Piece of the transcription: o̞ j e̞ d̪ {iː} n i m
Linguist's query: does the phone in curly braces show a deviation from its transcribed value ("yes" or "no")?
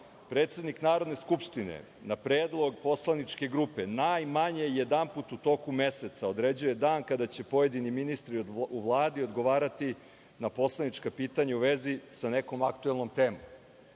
yes